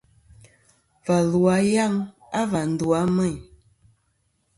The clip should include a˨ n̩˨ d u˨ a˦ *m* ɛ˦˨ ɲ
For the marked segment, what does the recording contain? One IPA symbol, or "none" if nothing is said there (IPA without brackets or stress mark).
m